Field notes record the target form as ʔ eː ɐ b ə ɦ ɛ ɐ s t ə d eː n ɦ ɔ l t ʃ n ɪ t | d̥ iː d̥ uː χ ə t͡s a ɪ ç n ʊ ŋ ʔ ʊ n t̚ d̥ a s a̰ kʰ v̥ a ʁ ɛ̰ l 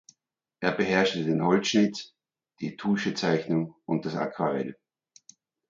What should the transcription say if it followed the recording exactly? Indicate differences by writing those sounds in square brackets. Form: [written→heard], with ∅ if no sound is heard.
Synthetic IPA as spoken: ʔ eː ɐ b ə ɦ ɛ ɐ [s→ʃ] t ə d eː n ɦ ɔ l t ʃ n ɪ t | d̥ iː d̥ uː [χ→ʃ] ə t͡s a ɪ ç n ʊ ŋ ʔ ʊ n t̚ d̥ a s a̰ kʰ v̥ a ʁ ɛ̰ l